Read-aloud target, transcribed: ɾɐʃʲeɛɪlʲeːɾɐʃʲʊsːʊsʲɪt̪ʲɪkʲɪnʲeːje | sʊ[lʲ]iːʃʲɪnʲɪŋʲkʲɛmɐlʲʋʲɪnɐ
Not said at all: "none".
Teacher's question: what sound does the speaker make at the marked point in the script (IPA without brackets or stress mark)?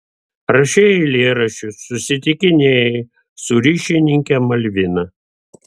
ɾʲ